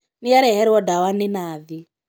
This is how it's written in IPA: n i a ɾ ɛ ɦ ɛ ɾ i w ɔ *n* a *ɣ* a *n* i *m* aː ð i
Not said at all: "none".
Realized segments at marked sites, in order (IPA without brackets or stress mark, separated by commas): d, w, n, n